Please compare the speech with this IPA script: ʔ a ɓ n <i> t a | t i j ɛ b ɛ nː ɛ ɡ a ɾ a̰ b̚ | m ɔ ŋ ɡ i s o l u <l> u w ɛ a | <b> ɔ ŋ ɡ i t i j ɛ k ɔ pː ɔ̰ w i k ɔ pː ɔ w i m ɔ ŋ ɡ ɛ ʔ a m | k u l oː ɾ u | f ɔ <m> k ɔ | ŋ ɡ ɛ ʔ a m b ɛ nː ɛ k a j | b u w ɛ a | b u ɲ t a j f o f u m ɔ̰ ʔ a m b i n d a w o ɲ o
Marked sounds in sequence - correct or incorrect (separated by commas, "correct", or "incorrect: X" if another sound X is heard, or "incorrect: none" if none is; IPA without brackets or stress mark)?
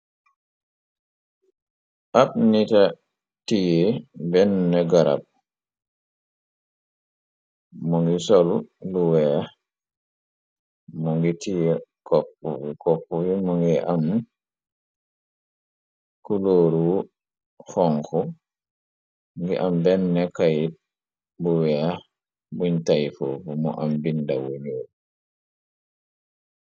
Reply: correct, correct, incorrect: m, incorrect: ŋ